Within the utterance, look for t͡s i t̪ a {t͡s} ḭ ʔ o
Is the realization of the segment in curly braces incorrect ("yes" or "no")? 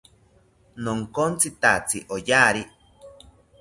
no